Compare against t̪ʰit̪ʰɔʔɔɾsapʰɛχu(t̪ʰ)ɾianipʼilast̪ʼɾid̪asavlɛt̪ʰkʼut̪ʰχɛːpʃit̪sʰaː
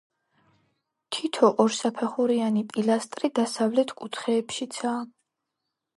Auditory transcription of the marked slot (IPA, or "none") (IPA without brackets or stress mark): none